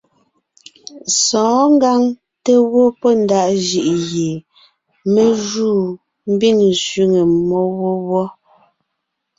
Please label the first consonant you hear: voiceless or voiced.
voiceless